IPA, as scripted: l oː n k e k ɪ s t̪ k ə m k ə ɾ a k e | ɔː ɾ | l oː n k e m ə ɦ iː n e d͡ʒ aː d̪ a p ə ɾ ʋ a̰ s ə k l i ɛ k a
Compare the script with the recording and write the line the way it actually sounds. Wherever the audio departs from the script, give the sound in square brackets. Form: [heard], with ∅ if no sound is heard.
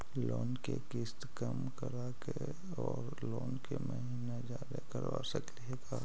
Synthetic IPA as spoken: l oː n k e k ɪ s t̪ k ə m k ə ɾ a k e | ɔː ɾ | l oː n k e m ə ɦ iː n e d͡ʒ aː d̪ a [k] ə ɾ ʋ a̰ s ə k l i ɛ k a